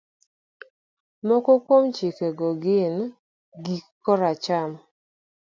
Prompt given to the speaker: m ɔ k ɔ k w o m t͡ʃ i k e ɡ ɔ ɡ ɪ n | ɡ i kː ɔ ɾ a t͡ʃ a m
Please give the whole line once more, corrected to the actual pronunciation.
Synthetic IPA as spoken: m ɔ k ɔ k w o m t͡ʃ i k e ɡ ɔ ɡ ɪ n | ɡ i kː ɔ ɾ a t͡ʃ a m